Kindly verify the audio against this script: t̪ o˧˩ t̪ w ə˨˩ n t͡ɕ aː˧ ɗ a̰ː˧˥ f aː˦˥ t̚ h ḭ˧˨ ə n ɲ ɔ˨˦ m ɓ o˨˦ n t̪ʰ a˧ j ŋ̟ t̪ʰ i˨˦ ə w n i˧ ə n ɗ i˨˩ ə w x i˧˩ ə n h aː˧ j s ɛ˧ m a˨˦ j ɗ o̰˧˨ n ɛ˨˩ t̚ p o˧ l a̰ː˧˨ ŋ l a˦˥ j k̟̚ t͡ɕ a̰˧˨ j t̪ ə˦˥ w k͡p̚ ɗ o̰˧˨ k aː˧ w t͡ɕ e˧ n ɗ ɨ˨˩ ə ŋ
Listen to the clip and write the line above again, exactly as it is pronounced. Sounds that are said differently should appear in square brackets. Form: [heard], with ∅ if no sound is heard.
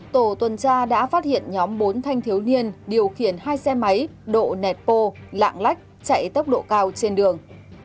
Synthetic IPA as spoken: t̪ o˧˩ t̪ w ə˨˩ n t͡ɕ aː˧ ɗ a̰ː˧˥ f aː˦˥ t̚ h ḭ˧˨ ə n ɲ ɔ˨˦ m ɓ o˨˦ n t̪ʰ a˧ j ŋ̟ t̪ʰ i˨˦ ə w n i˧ ə n ɗ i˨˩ ə w x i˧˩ ə n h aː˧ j s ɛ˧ m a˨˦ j ɗ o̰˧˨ n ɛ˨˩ t̚ p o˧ l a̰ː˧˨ ŋ l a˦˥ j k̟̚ t͡ɕ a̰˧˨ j t̪ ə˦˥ w k͡p̚ ɗ o̰˧˨ k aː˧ w t͡ɕ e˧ n ɗ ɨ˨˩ ə ŋ